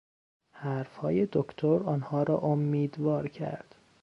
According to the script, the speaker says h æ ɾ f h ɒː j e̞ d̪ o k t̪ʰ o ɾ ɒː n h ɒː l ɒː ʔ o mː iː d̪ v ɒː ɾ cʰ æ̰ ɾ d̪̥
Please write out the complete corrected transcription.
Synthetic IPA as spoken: h æ ɾ f h ɒː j e̞ d̪ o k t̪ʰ o ɾ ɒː n h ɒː ɾ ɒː ʔ o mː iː d̪ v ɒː ɾ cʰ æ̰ ɾ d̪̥